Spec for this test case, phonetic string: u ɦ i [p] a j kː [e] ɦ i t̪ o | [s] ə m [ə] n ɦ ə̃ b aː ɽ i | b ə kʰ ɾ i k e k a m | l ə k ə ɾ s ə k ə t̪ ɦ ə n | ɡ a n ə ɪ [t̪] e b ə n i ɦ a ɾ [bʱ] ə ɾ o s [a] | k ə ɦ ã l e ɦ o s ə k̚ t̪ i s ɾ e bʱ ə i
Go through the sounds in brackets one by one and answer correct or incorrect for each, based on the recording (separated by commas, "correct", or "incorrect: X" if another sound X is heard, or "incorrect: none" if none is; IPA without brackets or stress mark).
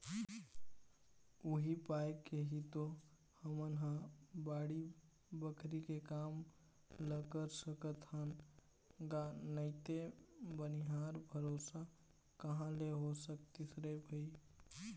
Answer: correct, correct, incorrect: h, correct, correct, correct, correct